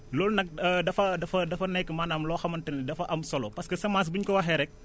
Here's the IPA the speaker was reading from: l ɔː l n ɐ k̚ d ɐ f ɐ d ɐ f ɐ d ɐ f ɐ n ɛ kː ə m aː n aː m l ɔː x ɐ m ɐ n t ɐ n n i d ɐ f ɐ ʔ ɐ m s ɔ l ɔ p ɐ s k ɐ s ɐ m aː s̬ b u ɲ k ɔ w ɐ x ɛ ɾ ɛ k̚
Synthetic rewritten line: l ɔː l n ɐ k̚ d ɐ f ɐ d ɐ f ɐ d ɐ f ɐ n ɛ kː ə m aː n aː m l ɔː x ɐ m ɐ n t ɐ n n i d ɐ f ɐ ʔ ɐ m s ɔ l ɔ p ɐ s k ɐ s ɐ m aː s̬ b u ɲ k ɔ w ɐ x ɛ ɾ ɛ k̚

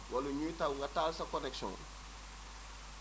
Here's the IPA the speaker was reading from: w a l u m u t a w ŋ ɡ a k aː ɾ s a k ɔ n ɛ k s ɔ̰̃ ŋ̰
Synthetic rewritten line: w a l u ɲ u t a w ŋ ɡ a t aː l s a k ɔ n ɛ k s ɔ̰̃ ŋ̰

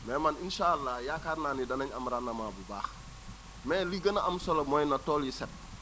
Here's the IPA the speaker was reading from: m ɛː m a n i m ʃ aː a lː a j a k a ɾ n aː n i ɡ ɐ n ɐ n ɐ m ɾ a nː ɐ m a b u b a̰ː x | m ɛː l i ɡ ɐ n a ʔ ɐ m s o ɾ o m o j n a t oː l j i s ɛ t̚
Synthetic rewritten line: m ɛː m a n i n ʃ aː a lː a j a k a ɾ n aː n i d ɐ n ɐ ɲ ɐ m ɾ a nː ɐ m a b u b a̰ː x | m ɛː l i ɡ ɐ n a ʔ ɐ m s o l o m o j n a t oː l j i s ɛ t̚

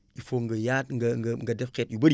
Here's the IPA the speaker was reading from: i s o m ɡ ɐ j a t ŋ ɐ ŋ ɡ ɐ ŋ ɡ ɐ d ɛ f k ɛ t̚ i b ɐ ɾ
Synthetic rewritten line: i f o ŋ ɡ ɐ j a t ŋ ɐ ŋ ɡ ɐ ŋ ɡ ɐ d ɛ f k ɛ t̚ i b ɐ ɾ

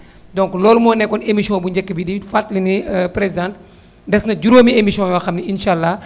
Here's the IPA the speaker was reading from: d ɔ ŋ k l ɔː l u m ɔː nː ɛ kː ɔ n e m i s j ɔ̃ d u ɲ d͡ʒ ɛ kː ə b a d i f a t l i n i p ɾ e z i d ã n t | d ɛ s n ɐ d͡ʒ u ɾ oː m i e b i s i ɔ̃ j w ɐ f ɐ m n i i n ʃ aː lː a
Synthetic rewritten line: d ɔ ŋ k l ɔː l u m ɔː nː ɛ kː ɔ n e m i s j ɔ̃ b u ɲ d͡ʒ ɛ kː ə b i d i f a t l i n i p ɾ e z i d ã n t | d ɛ s n ɐ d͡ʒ u ɾ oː m i e m i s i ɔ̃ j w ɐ x ɐ m n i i n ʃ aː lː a

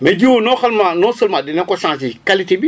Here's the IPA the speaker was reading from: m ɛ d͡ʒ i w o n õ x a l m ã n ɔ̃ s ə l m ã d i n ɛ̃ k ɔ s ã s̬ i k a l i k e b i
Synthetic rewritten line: m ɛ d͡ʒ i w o n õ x a l m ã n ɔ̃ s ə l m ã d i n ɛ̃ k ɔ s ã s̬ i k a l i t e b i

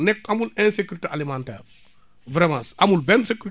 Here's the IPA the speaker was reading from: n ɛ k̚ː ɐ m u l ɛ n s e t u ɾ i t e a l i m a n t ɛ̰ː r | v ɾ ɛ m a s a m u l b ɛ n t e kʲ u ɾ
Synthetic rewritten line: n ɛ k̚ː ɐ m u l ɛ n s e k u ɾ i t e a l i m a n t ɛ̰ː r | v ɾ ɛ m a s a m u l b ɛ n s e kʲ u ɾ

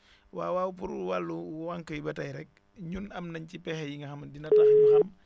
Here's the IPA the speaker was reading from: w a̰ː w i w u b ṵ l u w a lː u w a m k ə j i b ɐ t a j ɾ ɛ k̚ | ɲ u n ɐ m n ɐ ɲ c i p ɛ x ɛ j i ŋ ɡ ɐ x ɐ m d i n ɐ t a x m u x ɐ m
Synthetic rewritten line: w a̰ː w a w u p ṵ ɾ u w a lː u w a ŋ k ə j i b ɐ t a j ɾ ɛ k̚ | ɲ u n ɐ m n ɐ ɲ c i p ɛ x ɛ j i ŋ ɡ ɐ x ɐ m d i n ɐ t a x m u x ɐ m

